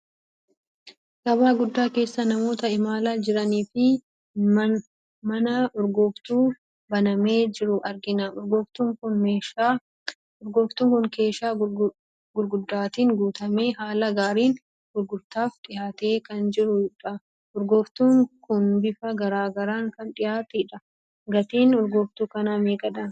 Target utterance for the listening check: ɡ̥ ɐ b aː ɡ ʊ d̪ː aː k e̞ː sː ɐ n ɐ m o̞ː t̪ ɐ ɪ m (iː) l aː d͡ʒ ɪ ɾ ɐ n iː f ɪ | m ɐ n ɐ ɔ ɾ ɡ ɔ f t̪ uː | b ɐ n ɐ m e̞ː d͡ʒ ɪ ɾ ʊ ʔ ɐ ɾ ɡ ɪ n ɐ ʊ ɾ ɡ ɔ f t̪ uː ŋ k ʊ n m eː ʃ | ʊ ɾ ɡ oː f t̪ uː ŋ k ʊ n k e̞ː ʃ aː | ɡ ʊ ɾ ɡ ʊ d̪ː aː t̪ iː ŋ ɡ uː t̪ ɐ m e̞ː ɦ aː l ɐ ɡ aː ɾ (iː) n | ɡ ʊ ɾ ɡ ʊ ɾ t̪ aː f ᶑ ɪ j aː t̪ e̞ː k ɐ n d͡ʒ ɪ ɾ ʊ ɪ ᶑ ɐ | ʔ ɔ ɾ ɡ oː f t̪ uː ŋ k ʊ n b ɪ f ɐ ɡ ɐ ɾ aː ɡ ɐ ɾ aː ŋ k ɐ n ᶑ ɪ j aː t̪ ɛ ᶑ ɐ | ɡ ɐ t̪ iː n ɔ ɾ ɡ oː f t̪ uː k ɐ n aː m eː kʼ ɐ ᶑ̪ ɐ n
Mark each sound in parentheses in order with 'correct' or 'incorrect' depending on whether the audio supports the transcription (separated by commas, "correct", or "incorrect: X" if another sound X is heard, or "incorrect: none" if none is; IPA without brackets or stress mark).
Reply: incorrect: aː, correct